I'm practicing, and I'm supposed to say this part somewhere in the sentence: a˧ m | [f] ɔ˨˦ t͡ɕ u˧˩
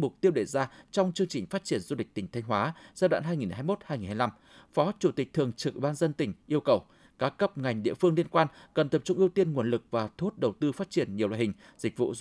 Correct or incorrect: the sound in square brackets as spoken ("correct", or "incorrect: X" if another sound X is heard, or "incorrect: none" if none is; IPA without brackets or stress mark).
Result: correct